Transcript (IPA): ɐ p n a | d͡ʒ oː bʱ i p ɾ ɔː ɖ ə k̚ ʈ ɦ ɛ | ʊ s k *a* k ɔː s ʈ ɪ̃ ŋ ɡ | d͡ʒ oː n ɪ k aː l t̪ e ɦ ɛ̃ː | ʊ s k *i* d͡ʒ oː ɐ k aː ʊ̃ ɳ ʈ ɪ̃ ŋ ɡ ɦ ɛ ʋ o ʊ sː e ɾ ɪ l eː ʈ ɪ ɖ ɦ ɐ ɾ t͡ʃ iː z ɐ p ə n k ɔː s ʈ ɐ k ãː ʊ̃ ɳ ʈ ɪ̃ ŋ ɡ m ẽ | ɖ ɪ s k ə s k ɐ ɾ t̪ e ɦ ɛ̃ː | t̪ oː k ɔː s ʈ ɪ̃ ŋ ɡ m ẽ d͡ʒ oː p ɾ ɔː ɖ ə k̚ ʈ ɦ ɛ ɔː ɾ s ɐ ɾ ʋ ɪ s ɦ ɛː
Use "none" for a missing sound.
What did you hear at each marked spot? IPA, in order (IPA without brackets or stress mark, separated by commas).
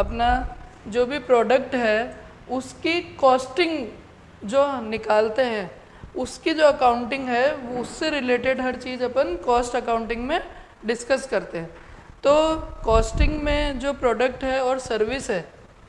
i, i